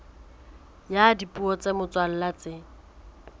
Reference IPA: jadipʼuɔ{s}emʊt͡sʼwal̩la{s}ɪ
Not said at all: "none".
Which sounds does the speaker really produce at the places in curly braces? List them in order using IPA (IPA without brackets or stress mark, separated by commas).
t͡s, t͡s